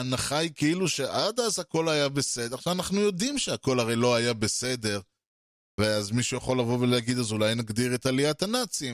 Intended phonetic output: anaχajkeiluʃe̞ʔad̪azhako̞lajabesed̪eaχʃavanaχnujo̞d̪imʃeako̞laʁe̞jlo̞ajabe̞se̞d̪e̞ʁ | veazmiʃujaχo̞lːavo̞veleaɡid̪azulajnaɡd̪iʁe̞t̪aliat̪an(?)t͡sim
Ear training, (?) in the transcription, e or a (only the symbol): a